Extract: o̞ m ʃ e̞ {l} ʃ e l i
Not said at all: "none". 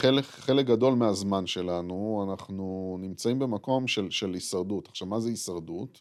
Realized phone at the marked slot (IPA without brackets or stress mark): l